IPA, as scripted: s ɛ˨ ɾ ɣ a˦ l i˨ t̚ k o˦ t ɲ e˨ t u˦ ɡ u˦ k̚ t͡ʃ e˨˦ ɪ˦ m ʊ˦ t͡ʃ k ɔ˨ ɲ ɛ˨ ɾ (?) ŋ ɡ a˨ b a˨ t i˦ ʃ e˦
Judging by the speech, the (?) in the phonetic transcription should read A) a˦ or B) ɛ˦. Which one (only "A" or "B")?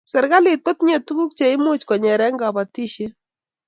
B